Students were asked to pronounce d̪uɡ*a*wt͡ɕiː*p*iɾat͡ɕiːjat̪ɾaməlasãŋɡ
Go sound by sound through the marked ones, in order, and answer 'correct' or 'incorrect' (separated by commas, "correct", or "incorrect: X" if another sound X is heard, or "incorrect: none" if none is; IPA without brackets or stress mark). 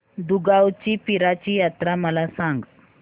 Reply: correct, correct